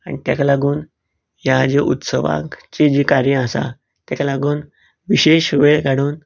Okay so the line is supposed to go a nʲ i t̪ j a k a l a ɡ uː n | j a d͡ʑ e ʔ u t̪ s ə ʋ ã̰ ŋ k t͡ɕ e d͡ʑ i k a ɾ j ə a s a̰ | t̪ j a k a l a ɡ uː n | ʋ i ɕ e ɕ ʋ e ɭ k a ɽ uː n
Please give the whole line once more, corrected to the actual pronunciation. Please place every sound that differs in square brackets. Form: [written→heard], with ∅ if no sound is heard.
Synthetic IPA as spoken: a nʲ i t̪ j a k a l a ɡ uː n | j a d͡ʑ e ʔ u t̪ s ə ʋ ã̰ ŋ k t͡ɕ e d͡ʑ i k a ɾ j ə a s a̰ | t̪ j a k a l a ɡ uː n | ʋ i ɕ e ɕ ʋ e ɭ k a ɽ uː n